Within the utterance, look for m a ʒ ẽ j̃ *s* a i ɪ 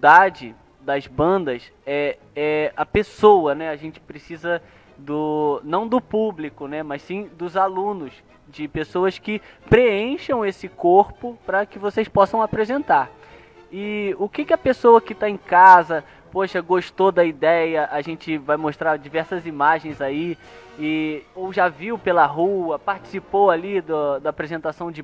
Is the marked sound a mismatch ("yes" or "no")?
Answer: yes